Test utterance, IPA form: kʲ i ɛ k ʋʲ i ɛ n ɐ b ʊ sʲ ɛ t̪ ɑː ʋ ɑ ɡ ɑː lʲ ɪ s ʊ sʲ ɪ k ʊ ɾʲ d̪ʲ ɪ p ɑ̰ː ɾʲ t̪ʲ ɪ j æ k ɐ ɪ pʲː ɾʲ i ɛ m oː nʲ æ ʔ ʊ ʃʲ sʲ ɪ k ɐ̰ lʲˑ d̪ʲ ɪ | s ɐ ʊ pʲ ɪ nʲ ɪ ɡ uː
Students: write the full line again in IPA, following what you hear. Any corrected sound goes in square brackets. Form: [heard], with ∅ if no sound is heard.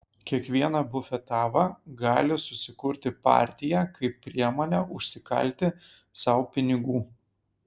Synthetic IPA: kʲ i ɛ k ʋʲ i ɛ n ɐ b ʊ [fʲ] ɛ t̪ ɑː ʋ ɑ ɡ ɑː lʲ ɪ s ʊ sʲ ɪ k ʊ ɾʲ [t̪ʲ] ɪ p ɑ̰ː ɾʲ t̪ʲ ɪ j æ k ɐ ɪ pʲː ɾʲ i ɛ m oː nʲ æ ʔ ʊ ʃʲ sʲ ɪ k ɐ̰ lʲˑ [t̪ʲ] ɪ | s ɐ ʊ pʲ ɪ nʲ ɪ ɡ uː

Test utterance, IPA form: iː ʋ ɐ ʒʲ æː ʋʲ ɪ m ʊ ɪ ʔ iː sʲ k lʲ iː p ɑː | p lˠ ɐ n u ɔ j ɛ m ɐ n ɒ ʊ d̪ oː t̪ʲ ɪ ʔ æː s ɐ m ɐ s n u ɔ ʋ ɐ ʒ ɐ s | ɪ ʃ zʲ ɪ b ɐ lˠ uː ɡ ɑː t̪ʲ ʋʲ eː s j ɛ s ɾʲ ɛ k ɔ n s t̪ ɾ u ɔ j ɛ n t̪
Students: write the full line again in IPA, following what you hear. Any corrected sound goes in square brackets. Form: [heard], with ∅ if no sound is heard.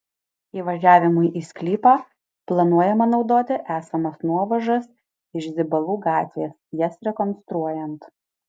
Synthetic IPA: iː ʋ ɐ ʒʲ æː ʋʲ ɪ m ʊ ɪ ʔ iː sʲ k lʲ iː p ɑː | p lˠ ɐ n u ɔ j ɛ m ɐ n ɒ ʊ d̪ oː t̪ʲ ɪ ʔ æː s ɐ m ɐ s n u ɔ ʋ ɐ ʒ ɐ s | ɪ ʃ zʲ ɪ b ɐ lˠ uː ɡ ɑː t̪ʲ ʋʲ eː s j ɛ s ɾʲ ɛ k ɔ n s t̪ ɾ u ɔ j ɛ n t̪

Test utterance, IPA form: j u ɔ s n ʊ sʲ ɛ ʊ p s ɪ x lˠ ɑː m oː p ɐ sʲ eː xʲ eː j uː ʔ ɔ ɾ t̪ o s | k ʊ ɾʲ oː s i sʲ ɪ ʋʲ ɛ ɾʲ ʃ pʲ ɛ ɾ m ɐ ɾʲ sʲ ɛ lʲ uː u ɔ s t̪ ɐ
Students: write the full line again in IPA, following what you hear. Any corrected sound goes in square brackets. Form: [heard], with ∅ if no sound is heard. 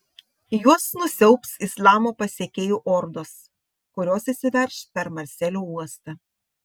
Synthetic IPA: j u ɔ s n ʊ sʲ ɛ ʊ p s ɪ [s] lˠ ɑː m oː p ɐ sʲ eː [kʲ] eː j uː ʔ ɔ ɾ [d̪] o s | k ʊ ɾʲ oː s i sʲ ɪ ʋʲ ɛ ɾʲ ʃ pʲ ɛ ɾ m ɐ ɾʲ sʲ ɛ lʲ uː u ɔ s t̪ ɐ

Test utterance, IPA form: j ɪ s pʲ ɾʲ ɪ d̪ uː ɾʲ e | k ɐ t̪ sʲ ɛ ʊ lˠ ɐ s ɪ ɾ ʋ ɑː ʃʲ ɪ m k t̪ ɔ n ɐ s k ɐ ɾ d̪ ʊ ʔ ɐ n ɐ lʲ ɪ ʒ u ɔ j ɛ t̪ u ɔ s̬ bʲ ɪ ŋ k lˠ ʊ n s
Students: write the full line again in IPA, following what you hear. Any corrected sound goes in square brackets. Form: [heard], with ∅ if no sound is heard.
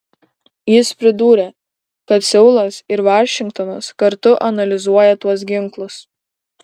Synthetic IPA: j ɪ s pʲ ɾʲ ɪ d̪ uː ɾʲ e | k ɐ t̪ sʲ ɛ ʊ lˠ ɐ s ɪ ɾ ʋ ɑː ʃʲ ɪ [ŋ] k t̪ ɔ n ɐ s k ɐ ɾ [t̪] ʊ ʔ ɐ n ɐ lʲ ɪ [z] u ɔ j ɛ t̪ u ɔ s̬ [ɡʲ] ɪ ŋ k lˠ ʊ [∅] s

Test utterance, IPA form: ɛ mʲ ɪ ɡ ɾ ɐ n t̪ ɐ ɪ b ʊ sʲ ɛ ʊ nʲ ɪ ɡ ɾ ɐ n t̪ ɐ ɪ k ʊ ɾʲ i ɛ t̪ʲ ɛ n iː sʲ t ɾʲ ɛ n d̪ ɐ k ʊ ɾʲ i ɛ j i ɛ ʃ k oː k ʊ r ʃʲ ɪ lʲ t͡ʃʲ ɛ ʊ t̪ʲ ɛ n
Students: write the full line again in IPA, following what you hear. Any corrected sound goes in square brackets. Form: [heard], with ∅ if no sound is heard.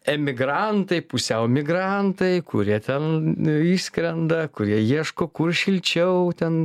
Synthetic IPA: ɛ mʲ ɪ ɡ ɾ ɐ n t̪ ɐ ɪ [p] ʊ sʲ ɛ ʊ [mʲ] ɪ ɡ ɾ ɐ n t̪ ɐ ɪ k ʊ ɾʲ i ɛ t̪ʲ ɛ n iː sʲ [k] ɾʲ ɛ n d̪ ɐ k ʊ ɾʲ i ɛ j i ɛ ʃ k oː k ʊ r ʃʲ ɪ lʲ t͡ʃʲ ɛ ʊ t̪ʲ ɛ n

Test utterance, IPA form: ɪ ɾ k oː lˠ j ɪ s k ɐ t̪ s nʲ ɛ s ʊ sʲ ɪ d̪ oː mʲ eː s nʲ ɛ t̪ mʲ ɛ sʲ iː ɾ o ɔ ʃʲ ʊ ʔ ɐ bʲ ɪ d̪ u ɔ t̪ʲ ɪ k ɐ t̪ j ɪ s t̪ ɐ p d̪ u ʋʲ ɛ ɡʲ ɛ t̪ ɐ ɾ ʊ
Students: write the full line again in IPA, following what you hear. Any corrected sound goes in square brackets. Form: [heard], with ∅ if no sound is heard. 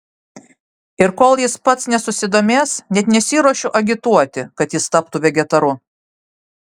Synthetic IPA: ɪ ɾ k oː lˠ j ɪ s [p] ɐ t̪ s nʲ ɛ s ʊ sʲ ɪ d̪ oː mʲ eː s nʲ ɛ t̪ [nʲ] ɛ sʲ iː ɾ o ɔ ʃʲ ʊ ʔ ɐ [ɡʲ] ɪ [t̪] u ɔ t̪ʲ ɪ k ɐ t̪ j ɪ s t̪ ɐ p [t̪] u ʋʲ ɛ ɡʲ ɛ t̪ ɐ ɾ ʊ

